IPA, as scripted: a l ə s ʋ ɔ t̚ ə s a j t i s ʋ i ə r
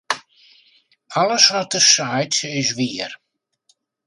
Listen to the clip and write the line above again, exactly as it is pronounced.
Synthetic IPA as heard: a l ə s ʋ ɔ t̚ ə s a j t ɪ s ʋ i ə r